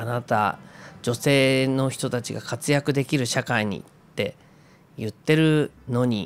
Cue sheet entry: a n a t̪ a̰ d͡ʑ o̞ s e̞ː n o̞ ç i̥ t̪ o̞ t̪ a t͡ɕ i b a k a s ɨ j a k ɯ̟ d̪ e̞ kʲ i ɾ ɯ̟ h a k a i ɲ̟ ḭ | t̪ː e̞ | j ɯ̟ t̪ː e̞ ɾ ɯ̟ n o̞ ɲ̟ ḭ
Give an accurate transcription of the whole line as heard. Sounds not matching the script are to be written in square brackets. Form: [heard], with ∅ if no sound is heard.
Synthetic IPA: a n a t̪ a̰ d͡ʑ o̞ s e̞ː n o̞ ç i̥ t̪ o̞ t̪ a t͡ɕ i [ɡ] a k a [t͡s] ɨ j a k ɯ̟ d̪ e̞ kʲ i ɾ ɯ̟ [ɕ] a k a i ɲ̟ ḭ | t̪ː e̞ | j ɯ̟ t̪ː e̞ ɾ ɯ̟ n o̞ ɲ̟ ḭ